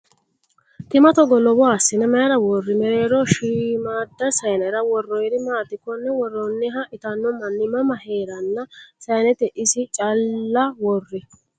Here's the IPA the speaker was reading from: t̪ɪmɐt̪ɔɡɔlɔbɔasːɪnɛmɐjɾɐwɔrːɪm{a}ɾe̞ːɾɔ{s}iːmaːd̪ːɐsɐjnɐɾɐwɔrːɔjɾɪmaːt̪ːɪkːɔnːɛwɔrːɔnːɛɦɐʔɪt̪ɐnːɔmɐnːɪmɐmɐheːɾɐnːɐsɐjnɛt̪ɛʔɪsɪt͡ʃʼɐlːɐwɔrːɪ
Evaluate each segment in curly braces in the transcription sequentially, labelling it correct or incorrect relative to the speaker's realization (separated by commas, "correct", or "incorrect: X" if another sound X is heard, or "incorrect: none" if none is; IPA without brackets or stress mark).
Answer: incorrect: ɛ, incorrect: ʃ